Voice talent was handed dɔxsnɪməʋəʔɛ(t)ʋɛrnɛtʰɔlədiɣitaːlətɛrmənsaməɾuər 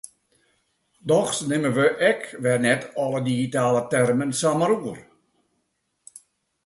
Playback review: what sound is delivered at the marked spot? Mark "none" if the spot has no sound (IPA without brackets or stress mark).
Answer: k